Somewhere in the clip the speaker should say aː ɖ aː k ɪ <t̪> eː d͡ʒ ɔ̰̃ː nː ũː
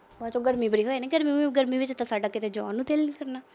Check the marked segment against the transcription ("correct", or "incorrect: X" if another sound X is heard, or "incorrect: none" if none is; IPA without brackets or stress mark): correct